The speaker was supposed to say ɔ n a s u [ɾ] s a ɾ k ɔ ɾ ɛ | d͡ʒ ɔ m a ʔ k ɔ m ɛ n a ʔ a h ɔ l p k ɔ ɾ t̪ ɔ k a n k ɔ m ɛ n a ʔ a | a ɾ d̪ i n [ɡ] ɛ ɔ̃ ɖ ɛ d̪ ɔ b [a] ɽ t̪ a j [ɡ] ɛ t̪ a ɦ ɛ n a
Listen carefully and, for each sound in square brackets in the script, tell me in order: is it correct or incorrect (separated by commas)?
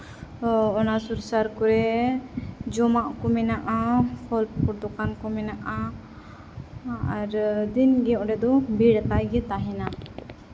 correct, correct, incorrect, correct